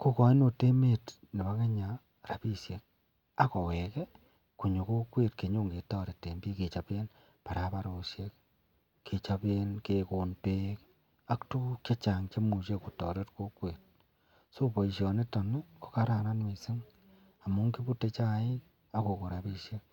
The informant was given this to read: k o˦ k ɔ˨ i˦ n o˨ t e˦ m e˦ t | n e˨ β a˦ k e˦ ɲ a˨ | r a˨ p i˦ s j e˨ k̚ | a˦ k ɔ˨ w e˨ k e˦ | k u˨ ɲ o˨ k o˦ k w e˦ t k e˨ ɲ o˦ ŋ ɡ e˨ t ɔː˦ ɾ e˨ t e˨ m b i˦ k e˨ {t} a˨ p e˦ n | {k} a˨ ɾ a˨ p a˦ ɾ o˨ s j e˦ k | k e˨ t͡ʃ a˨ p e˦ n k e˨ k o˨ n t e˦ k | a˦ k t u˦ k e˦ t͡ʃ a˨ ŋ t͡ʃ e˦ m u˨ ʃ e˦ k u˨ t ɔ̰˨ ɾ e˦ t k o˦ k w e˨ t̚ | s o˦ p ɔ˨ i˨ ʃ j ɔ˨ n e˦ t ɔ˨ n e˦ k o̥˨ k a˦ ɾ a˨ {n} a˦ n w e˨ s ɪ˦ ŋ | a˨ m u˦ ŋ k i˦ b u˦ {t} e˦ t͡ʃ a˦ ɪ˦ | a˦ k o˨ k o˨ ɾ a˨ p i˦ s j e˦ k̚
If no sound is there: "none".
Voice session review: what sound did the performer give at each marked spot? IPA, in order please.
t͡ʃ, p, n, t

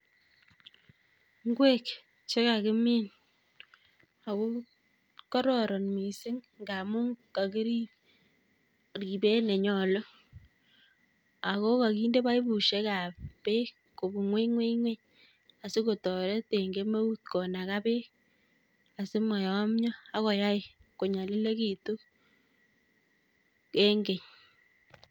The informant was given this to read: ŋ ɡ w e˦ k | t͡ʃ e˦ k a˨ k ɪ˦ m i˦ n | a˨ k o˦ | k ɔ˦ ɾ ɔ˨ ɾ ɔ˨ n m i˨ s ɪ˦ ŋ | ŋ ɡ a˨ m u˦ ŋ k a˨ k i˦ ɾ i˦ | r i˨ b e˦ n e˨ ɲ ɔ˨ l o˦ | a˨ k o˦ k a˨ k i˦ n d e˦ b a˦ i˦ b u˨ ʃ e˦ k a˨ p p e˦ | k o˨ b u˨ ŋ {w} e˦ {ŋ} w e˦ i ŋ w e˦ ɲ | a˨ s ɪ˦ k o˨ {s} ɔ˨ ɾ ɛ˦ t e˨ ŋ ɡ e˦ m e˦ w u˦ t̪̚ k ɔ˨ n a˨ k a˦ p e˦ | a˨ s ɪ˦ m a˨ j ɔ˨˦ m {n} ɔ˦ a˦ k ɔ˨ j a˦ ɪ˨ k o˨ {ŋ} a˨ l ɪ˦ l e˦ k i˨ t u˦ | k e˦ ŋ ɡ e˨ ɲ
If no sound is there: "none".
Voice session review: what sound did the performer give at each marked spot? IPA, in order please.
w, ŋ, t, ɲ, ɲ

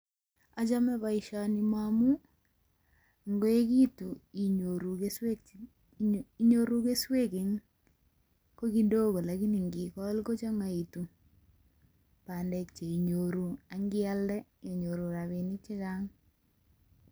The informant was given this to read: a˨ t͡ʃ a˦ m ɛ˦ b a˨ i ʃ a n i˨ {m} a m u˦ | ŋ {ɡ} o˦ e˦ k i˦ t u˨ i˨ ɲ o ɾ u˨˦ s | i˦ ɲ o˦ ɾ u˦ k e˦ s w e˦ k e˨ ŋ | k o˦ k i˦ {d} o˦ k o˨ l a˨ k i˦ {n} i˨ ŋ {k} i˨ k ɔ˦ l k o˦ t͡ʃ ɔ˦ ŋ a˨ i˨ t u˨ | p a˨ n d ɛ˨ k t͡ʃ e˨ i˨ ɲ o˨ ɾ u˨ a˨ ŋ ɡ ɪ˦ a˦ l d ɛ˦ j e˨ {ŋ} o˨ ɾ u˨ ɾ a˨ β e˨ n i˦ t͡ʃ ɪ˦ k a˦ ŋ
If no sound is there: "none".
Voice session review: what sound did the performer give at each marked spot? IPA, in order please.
m, ɡ, d, n, ɡ, ɲ

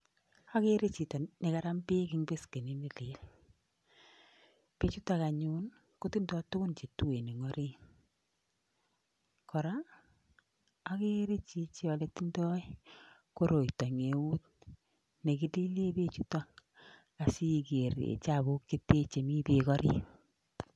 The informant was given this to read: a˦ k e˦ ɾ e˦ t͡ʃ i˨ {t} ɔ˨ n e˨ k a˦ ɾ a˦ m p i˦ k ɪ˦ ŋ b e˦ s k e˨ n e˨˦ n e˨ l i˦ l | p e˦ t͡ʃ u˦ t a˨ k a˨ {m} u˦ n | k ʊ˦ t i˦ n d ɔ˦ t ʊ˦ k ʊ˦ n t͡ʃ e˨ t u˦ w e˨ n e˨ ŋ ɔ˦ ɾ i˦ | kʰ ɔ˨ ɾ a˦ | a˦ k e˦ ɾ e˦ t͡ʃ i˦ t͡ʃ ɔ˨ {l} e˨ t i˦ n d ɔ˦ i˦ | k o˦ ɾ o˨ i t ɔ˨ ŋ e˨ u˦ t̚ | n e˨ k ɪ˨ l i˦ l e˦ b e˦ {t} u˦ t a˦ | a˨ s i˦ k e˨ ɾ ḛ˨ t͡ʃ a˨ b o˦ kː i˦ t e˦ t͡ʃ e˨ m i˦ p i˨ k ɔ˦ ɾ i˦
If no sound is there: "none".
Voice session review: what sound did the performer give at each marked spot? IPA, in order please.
t, ɲ, l, t͡ʃ

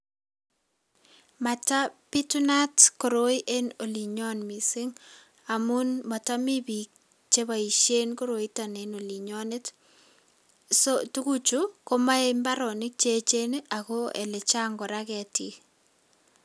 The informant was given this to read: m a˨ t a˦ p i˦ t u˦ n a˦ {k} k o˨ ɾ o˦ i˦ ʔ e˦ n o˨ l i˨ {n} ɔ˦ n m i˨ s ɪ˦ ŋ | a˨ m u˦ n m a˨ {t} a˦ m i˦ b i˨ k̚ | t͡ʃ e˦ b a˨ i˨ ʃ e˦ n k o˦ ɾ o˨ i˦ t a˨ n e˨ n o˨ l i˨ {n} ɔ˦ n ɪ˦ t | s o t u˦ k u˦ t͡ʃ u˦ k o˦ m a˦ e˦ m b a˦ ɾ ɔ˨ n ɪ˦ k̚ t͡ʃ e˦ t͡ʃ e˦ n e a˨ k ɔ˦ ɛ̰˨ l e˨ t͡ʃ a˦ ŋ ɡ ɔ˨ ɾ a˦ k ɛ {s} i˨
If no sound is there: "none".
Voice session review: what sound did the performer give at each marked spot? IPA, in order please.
t, ɲ, t, ɲ, t

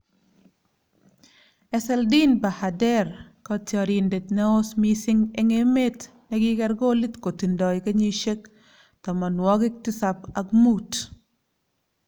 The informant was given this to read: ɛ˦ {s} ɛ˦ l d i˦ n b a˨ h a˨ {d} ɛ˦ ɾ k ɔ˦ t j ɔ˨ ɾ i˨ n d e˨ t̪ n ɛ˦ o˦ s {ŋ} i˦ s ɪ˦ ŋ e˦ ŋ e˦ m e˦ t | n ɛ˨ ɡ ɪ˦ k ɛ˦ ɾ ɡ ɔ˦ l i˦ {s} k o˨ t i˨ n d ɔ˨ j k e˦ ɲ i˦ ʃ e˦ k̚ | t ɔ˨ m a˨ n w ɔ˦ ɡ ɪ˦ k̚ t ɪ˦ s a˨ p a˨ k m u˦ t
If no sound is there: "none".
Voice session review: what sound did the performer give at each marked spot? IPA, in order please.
s, d, m, t

